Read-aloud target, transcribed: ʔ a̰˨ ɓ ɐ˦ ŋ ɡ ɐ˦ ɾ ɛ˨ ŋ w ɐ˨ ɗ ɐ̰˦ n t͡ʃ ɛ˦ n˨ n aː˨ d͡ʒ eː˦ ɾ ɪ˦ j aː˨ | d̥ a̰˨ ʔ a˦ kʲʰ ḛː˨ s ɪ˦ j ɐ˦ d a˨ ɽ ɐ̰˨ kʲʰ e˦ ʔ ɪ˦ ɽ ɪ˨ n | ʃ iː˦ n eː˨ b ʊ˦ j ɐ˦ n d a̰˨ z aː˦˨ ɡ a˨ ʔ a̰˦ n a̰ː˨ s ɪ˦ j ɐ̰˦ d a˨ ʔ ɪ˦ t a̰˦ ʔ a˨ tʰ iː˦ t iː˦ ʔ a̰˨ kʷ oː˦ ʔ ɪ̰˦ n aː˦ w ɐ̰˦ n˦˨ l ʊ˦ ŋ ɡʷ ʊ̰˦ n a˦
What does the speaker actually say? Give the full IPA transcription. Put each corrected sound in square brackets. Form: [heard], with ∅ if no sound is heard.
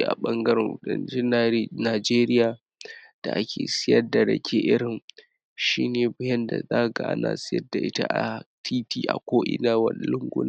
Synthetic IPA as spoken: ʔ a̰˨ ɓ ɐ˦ ŋ ɡ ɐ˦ ɾ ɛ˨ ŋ w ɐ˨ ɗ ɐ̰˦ n t͡ʃ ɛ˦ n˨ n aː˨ d͡ʒ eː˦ ɾ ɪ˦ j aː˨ | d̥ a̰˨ ʔ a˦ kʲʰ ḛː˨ s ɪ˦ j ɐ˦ d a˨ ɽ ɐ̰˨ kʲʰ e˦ ʔ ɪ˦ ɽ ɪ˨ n | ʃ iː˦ n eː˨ b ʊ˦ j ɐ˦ n d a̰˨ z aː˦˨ ɡ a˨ ʔ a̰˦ n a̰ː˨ s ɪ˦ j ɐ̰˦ d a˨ ʔ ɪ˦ t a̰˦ ʔ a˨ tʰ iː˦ t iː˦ ʔ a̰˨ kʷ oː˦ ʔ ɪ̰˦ n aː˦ w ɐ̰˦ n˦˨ l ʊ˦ ŋ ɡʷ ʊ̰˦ n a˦